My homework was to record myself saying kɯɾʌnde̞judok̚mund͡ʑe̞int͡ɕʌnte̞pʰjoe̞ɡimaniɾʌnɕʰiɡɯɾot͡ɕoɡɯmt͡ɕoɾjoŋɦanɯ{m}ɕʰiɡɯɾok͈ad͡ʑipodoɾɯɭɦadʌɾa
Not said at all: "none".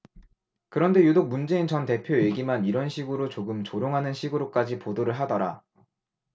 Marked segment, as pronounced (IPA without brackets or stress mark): n